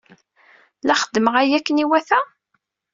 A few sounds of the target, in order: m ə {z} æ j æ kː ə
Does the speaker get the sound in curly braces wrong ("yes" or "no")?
yes